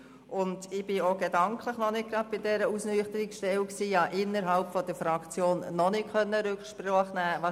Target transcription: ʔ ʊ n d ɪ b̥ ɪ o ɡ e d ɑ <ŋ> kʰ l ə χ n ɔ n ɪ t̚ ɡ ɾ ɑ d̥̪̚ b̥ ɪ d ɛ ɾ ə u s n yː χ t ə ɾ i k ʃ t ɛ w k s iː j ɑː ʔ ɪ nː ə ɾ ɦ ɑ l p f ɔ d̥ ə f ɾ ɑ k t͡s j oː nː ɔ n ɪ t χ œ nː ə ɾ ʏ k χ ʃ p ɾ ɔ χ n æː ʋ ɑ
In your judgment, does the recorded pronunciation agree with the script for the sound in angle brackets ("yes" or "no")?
yes